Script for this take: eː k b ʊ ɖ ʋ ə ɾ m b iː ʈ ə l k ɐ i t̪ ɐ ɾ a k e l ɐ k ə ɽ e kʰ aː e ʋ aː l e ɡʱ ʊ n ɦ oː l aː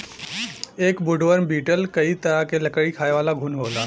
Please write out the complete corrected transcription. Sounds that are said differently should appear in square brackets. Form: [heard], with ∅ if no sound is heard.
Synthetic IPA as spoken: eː k b ʊ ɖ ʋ ə ɾ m b iː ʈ ə l k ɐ i t̪ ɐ ɾ a k e l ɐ k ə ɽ [i] kʰ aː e ʋ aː l [a] ɡʱ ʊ n ɦ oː l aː